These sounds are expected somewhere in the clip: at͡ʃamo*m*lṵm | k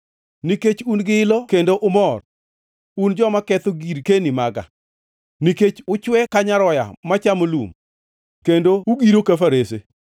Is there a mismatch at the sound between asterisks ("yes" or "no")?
yes